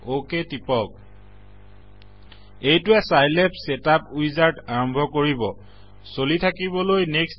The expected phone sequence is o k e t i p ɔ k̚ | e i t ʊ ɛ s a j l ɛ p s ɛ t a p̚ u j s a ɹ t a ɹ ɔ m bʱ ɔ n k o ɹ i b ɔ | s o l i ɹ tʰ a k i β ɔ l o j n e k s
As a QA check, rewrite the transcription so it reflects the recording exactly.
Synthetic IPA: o k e t i p ɔ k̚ | e j t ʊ ɛ s a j l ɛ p s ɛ t a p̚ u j z a ɹ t a ɹ ɔ m bʱ ɔ k o ɹ i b ɔ | s o l i tʰ a k i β ɔ l o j n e k s

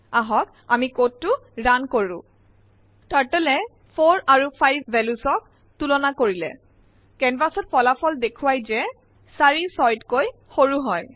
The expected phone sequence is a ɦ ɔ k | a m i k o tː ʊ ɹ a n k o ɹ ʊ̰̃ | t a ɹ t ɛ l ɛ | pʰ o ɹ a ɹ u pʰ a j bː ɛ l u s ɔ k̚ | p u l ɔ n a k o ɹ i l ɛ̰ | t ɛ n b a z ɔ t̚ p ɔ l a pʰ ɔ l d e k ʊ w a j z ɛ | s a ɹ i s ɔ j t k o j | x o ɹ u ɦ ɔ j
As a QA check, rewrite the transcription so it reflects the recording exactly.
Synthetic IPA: a ɦ ɔ k | a m i k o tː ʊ ɹ a n k o ɹ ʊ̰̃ | t a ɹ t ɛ l ɛ | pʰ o ɹ a ɹ u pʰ a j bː ɛ l u s ɔ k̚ | t u l ɔ n a k o ɹ i l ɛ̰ | k ɛ n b a s ɔ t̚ p ɔ l a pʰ ɔ l d e kʰ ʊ w a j z ɛ | s a ɹ i s ɔ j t k o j | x o ɹ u ɦ ɔ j

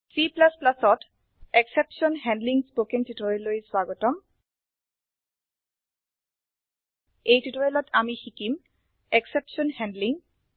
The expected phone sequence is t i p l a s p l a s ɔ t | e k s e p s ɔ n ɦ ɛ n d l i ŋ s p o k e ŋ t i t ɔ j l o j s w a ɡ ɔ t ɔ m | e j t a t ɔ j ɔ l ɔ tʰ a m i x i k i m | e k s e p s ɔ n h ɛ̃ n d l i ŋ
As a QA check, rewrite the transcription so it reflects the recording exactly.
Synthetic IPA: s i p l a s p l a s ɔ t | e k s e p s ɔ n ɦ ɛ n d l i ŋ s p o k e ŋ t i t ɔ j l o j s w a ɡ ɔ t ɔ m | e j t i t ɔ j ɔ l ɔ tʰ a m i x i k i m | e k s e p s ɔ n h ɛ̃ n d l i ŋ

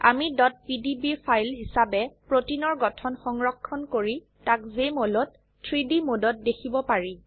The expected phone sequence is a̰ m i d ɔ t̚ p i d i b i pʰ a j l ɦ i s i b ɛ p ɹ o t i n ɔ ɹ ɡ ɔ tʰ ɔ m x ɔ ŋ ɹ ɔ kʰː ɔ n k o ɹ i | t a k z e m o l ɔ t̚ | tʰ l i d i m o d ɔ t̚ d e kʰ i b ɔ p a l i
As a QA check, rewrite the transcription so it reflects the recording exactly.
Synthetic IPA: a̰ m i d ɔ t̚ p i d i b i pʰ a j l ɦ i s a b ɛ p ɹ o t i n ɔ ɹ ɡ ɔ tʰ ɔ n x ɔ ŋ ɹ ɔ kʰː ɔ n k o ɹ i | t a k z e m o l ɔ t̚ | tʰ ɹ i d i m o d ɔ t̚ d e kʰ i b ɔ p a ɹ i

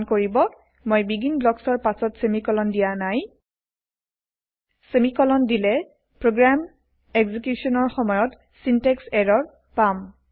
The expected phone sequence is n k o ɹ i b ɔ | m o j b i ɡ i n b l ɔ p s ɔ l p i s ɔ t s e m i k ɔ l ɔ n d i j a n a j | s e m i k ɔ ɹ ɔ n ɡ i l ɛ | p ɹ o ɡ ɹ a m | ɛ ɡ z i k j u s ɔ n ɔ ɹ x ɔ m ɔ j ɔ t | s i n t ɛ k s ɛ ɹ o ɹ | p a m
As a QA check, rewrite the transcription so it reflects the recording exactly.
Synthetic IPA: n k o ɹ i b ɔ | m o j b i ɡ i n b l ɔ k s ɔ ɹ p a s ɔ t s e m i k ɔ l ɔ n d i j a n a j | s e m i k ɔ l ɔ n d i l ɛ | p ɹ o ɡ ɹ a m | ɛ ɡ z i k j u s ɔ n ɔ ɹ x ɔ m ɔ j ɔ t | s i n t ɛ k s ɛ ɹ ɔ ɹ | p a m

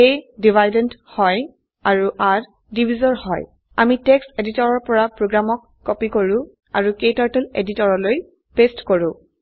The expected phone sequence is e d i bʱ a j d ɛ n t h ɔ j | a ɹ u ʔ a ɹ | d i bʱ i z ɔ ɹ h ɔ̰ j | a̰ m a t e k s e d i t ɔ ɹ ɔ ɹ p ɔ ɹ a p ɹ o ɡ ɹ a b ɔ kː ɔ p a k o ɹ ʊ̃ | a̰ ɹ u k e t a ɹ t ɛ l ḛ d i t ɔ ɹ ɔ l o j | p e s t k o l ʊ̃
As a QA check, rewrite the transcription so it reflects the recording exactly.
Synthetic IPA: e d i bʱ a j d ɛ n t h ɔ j | a ɹ u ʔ a ɹ | d i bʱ i z ɔ ɹ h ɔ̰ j | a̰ m i t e k s e d i t ɔ ɹ ɔ ɹ p ɔ ɹ a p ɹ o ɡ ɹ a m ɔ kː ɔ p i k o ɹ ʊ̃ | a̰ ɹ u k e t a ɹ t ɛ l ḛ d i t ɔ ɹ ɔ l o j | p e s t k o ɹ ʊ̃

